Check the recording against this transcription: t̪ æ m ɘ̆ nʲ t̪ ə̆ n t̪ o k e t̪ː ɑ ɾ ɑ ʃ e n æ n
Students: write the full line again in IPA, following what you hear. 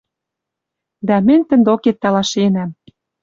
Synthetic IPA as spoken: d̪ æ m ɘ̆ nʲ t̪ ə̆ n d̪ o k e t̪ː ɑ l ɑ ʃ e n æ m